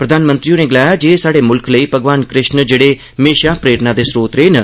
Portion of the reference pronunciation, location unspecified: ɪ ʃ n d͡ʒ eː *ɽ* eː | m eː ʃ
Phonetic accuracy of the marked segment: correct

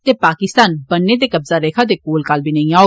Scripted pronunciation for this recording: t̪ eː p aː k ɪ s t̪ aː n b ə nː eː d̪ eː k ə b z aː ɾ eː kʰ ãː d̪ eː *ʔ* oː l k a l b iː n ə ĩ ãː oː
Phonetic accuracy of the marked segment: incorrect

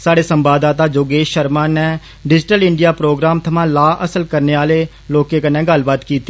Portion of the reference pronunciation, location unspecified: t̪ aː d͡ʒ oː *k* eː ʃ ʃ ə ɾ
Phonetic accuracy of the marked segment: incorrect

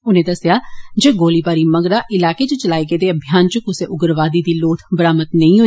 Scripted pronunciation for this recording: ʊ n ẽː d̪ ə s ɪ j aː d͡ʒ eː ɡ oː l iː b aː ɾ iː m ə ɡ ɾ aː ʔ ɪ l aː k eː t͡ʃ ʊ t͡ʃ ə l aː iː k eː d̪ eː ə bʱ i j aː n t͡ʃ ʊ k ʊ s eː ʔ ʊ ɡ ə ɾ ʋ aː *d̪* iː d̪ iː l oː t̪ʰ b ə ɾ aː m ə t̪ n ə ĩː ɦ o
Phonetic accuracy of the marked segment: correct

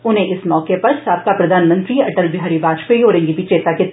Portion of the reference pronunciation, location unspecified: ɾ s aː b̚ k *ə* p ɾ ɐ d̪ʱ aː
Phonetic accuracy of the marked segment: incorrect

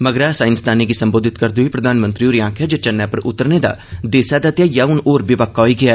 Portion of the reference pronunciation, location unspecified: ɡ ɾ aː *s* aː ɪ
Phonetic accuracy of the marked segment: correct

